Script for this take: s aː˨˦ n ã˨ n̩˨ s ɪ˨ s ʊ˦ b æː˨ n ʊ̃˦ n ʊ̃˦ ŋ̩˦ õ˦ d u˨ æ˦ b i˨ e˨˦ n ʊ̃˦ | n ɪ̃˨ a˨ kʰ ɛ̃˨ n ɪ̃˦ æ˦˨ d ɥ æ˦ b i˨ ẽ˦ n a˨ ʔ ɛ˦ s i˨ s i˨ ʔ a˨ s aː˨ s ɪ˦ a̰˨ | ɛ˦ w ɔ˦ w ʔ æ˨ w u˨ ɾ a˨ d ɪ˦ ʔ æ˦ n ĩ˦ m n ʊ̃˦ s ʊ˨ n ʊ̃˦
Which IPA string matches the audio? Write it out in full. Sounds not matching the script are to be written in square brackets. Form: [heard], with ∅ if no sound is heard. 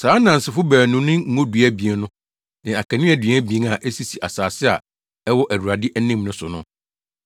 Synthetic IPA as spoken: s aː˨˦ n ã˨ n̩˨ s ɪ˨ [f] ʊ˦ b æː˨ n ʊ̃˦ n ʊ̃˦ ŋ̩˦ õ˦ d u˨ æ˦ b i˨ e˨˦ n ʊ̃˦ | n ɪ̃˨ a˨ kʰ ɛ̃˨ n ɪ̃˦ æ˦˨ d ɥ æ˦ b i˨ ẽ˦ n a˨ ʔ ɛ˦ s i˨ s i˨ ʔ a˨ s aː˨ s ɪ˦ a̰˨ | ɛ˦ w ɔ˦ [∅] ʔ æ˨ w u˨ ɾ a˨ d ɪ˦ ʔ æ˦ n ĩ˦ m n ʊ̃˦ s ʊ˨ n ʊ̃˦

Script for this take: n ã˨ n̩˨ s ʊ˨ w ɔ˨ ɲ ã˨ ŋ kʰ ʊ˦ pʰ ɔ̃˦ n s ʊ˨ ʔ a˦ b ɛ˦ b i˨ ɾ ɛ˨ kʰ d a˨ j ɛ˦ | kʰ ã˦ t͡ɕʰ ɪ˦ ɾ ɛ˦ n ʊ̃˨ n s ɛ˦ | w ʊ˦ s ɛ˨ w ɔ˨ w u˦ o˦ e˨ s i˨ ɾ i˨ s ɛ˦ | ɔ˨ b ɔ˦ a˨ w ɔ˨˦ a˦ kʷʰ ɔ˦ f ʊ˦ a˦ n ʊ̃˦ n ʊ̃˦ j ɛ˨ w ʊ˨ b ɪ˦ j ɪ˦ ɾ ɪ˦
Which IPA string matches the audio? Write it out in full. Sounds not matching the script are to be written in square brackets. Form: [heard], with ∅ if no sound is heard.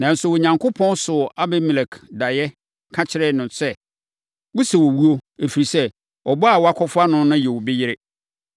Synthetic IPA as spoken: n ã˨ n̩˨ s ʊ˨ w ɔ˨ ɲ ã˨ ŋ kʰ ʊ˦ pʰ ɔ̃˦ n s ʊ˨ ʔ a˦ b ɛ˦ [m] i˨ [l] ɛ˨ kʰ d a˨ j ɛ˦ | kʰ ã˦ t͡ɕʰ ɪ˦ ɾ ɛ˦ n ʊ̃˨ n s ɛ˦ | w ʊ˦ s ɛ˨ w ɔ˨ w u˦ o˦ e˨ [f] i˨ ɾ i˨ s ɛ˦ | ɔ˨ b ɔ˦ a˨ w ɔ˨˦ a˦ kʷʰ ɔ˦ f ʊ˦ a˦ n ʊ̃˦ n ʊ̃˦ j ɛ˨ w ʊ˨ b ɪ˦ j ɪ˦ ɾ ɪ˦

